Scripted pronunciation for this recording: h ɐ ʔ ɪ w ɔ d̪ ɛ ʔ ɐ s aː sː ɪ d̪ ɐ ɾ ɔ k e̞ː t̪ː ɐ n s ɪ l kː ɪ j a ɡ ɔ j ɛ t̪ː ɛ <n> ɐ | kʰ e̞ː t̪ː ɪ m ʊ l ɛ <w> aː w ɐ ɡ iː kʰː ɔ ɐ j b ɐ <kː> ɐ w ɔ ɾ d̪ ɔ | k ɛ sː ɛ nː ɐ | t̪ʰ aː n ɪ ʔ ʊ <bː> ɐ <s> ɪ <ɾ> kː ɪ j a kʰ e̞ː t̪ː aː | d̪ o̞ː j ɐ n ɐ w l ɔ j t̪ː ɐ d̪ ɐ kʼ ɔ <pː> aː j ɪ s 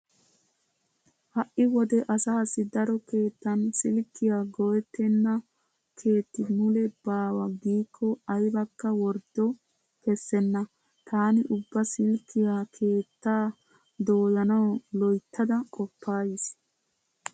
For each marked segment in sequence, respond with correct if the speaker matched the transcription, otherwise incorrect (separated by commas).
incorrect, incorrect, correct, correct, correct, incorrect, correct